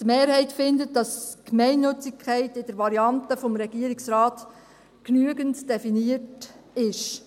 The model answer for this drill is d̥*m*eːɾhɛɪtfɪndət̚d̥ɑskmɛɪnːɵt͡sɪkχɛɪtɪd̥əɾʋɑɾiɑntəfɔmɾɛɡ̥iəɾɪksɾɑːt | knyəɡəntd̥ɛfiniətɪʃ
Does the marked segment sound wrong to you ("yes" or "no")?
no